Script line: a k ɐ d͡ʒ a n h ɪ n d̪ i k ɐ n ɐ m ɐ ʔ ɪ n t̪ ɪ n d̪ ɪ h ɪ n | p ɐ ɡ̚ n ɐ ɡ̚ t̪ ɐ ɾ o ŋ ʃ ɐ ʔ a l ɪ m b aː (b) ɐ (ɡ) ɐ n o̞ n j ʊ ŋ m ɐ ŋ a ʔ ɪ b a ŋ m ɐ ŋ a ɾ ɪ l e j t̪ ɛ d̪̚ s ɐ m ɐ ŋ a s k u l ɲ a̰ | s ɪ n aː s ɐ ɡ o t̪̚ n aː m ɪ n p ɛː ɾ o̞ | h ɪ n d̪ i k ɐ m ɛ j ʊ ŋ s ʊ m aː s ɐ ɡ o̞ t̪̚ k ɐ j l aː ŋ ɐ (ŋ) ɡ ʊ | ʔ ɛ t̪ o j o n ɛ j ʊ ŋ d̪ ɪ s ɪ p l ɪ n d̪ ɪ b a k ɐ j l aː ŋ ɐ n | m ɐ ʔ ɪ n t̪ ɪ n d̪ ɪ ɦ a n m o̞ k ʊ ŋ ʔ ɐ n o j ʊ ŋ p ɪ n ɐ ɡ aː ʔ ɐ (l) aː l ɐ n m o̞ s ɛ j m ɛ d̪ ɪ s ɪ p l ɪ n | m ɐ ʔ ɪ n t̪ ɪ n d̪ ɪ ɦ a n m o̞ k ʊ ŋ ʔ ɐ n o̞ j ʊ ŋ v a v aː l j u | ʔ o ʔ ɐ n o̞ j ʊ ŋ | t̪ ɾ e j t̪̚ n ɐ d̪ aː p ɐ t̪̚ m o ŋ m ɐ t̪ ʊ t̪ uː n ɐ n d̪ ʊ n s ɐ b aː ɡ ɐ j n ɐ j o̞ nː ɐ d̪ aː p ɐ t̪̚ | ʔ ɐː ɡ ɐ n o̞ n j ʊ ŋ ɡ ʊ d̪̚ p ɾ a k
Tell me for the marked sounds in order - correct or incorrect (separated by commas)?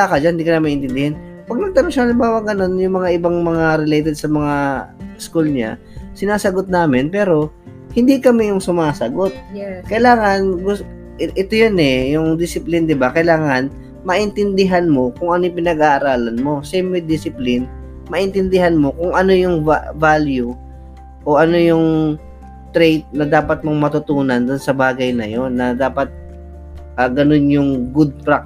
incorrect, correct, incorrect, incorrect